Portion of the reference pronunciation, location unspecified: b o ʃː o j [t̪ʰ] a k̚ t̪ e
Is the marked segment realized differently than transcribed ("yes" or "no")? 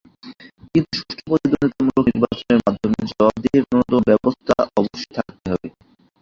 no